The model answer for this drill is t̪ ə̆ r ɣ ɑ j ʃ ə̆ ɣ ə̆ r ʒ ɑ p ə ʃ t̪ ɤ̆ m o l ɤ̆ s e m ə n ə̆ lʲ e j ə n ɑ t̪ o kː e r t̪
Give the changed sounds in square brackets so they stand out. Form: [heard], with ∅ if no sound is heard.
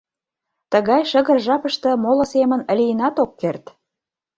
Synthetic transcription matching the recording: t̪ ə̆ [∅] ɣ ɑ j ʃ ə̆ ɣ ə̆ r ʒ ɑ p ə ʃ t̪ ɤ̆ m o l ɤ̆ s e m ə n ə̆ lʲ [i] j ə n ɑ t̪ o kː e r t̪